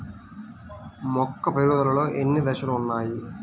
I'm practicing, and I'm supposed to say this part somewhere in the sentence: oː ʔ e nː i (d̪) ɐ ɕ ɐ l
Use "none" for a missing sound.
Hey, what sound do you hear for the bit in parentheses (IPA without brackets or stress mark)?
d̪